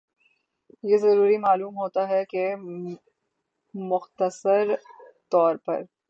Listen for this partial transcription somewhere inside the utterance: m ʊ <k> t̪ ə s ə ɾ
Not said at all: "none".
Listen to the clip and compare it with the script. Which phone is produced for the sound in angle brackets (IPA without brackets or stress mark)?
x